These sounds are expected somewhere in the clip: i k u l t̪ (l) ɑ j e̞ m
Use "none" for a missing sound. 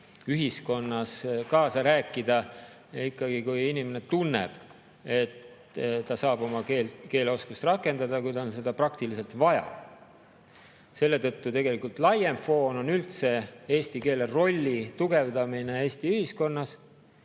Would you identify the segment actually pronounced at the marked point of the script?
l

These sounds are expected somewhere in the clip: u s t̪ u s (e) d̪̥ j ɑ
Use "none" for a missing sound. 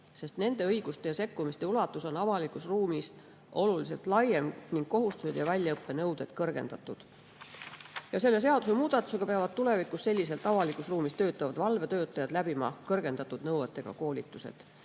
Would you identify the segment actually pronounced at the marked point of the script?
e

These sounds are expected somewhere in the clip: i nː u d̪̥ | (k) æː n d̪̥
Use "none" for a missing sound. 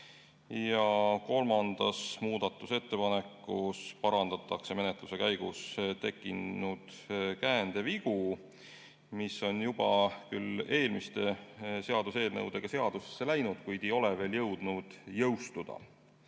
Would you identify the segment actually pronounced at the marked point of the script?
k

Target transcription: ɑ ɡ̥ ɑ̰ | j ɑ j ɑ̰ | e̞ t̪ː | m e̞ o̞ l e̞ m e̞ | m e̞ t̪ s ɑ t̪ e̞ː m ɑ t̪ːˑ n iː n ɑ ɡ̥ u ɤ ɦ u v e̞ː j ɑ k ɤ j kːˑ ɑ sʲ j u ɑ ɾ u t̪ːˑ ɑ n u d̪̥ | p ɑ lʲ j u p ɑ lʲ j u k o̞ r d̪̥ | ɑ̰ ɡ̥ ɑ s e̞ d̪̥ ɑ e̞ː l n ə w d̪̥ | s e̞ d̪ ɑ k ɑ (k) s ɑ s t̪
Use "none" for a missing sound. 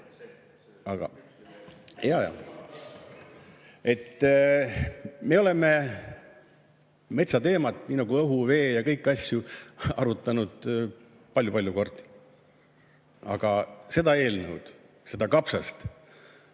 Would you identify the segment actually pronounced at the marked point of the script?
p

